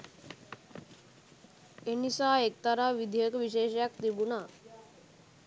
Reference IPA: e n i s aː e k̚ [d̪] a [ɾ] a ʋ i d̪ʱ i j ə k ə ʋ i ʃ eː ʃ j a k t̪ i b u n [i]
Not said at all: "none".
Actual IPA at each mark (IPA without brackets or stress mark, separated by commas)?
t̪, ɾ, a